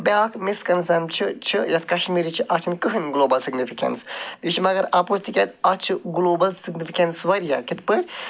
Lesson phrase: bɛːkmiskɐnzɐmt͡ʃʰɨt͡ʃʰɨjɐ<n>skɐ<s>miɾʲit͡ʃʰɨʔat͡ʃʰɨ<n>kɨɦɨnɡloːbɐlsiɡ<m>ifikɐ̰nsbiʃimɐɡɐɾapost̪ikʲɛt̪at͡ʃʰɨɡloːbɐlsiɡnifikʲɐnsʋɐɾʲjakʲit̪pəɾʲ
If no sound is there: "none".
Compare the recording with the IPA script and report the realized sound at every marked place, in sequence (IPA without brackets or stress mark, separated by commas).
none, ʃ, n, n